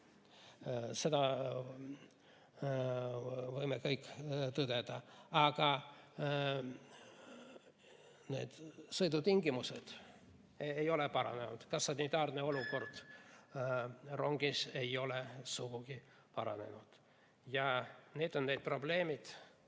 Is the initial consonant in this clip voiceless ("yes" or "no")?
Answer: yes